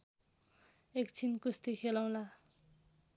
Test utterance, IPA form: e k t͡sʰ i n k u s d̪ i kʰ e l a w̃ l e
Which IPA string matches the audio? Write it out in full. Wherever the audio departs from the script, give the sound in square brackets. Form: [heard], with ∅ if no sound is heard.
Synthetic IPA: e k t͡sʰ i n k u s [t̪] i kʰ e l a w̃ l [a]